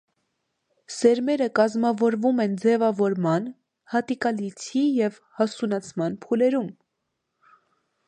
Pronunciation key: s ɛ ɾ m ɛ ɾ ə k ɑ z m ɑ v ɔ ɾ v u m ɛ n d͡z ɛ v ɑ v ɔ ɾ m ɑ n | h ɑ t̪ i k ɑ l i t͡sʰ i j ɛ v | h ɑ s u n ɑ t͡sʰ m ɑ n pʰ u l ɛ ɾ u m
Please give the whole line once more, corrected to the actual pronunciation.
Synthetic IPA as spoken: s ɛ ɾ m ɛ ɾ ə k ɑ z m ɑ v ɔ ɾ v u m ɛ n d͡z ɛ v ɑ v ɔ ɾ m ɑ n | h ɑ t̪ i k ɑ l i t͡sʰ i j ɛ v | h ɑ s u n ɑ t͡sʰ m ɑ n pʰ u l ɛ ɾ u m